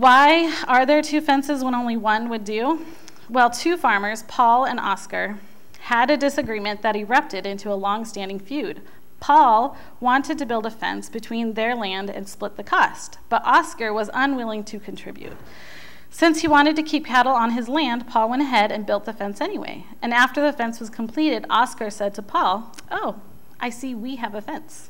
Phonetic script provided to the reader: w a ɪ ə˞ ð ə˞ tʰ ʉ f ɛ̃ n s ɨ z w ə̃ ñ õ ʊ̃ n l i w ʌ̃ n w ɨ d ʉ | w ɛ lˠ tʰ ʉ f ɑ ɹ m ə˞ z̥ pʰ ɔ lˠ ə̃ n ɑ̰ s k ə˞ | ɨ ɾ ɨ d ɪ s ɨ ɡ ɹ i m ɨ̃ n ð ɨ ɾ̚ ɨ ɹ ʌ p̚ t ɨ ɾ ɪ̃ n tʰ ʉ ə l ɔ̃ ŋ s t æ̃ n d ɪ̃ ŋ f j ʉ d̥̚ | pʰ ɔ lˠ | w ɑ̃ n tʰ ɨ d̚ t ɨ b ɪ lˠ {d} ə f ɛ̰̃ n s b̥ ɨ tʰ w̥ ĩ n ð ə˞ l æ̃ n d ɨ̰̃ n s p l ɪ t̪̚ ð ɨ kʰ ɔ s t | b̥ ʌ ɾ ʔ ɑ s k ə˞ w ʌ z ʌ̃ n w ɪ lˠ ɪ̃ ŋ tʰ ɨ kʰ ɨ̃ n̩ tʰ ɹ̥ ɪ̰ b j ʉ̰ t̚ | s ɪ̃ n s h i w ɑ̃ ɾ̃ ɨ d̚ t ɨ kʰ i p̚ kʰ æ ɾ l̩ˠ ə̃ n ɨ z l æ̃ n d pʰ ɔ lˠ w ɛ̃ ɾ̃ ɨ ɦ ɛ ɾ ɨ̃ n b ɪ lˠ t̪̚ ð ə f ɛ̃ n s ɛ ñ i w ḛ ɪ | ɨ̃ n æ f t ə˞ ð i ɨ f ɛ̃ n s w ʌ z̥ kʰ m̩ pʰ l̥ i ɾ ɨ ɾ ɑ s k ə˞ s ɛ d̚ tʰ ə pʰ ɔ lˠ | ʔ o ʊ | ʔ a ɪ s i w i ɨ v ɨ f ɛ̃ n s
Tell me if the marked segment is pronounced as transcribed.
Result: yes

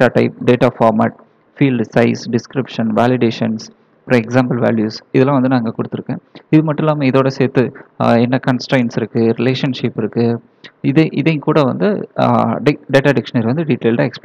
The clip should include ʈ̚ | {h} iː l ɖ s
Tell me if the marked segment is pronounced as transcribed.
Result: no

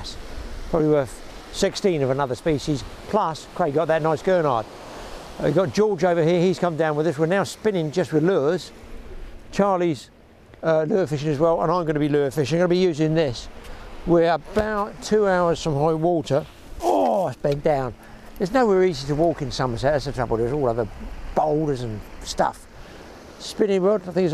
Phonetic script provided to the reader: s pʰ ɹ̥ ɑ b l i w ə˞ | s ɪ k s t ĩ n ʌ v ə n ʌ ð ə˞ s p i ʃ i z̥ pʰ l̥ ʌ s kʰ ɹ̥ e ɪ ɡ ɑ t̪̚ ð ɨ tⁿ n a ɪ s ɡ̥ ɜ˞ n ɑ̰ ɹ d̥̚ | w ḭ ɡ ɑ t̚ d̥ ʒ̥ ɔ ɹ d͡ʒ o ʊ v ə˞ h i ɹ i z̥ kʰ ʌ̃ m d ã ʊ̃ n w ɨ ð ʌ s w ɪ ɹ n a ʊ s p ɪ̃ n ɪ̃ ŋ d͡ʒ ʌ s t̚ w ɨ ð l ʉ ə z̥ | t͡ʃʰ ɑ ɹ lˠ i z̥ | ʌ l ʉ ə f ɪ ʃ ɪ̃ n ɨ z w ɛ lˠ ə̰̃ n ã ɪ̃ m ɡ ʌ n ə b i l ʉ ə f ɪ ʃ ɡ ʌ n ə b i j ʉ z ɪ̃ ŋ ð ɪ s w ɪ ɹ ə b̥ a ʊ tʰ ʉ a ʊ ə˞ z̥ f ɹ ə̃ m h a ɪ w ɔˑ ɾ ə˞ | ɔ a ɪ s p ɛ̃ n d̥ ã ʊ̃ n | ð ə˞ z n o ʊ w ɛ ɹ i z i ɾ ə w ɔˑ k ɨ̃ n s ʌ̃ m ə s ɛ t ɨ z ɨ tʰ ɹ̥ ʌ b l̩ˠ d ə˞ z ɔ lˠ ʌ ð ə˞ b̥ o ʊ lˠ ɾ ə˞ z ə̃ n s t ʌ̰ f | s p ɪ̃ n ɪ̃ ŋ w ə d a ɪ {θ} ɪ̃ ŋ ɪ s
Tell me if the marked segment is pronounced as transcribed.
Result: yes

